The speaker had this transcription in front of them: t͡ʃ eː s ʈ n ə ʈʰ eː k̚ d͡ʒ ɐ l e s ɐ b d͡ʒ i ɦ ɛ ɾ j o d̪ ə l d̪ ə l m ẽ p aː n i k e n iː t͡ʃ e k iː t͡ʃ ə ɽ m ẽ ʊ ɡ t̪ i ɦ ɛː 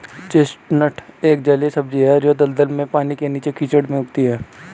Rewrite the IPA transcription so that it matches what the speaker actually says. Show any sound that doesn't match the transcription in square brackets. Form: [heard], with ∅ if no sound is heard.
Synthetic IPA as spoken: t͡ʃ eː s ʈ n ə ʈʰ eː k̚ d͡ʒ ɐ l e s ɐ b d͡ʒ i ɦ ɛ ɾ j o d̪ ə l d̪ ə l m ẽ p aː n i k e n iː t͡ʃ e k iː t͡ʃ ə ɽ m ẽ ʊ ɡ t̪ i ɦ ɛː